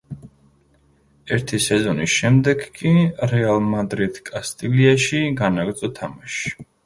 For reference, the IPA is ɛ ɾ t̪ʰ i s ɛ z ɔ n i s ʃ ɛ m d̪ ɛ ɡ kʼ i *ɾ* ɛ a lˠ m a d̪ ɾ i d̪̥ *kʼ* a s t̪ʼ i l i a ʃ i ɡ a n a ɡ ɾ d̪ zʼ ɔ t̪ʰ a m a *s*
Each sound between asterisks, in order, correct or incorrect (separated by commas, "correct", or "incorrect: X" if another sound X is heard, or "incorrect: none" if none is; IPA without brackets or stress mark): correct, correct, incorrect: ʃ